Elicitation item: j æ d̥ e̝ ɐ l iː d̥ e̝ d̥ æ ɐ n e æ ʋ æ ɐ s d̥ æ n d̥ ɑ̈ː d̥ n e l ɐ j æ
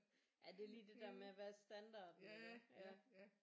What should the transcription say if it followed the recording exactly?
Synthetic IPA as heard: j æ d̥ e̝ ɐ l iː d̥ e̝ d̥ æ ɐ m e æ ʋ æ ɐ s d̥ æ n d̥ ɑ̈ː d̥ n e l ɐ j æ